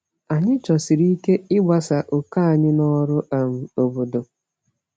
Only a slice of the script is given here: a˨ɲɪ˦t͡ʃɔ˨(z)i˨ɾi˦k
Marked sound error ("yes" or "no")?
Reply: yes